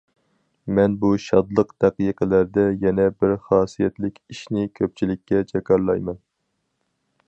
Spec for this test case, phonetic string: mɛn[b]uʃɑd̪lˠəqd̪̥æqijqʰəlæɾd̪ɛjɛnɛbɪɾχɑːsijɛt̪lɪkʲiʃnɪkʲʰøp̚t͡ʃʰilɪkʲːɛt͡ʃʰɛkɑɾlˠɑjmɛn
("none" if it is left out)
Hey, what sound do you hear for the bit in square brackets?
b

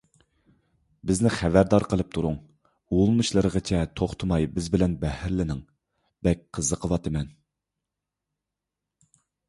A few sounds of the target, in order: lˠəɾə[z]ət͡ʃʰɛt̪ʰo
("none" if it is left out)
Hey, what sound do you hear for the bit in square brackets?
ʁ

